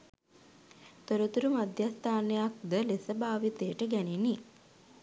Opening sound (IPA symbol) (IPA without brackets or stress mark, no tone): t̪